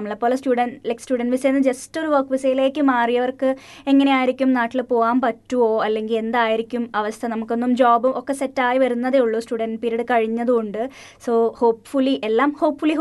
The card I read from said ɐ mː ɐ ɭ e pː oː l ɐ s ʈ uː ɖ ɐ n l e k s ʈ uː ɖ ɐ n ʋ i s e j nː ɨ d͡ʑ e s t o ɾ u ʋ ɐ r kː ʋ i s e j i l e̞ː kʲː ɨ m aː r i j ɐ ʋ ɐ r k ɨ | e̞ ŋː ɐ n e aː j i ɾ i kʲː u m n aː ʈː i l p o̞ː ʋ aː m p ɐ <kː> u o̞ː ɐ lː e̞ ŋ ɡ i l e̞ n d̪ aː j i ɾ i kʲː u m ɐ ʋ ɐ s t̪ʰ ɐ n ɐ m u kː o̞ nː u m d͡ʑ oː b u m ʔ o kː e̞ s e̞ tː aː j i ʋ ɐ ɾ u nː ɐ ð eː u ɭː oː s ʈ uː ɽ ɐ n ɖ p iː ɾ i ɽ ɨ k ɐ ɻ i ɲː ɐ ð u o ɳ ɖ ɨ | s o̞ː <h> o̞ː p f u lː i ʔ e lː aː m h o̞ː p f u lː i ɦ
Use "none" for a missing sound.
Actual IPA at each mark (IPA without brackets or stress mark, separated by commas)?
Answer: tː, h